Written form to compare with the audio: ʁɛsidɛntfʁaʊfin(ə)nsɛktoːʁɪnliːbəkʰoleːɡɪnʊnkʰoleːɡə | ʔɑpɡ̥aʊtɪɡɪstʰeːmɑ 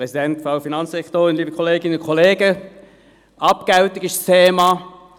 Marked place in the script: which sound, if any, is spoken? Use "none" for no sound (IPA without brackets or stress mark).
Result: ɑ